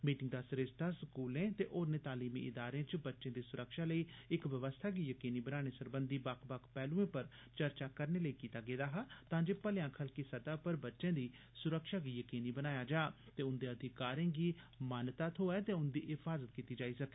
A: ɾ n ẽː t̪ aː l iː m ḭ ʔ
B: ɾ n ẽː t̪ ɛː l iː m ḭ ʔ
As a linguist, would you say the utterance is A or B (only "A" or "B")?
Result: A